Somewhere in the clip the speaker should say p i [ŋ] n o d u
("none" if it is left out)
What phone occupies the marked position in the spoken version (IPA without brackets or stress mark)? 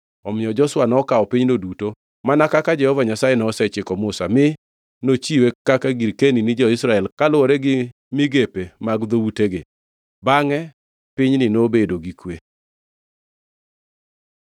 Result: ɲ